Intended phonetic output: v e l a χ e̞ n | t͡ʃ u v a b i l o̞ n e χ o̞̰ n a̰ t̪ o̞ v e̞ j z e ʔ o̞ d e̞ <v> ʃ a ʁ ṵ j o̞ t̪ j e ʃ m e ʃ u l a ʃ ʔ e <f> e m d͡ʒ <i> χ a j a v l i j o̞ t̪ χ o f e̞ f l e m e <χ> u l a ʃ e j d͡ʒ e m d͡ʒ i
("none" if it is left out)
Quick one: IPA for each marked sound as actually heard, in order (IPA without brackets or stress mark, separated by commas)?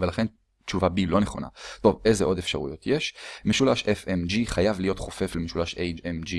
f, f, i, ʃ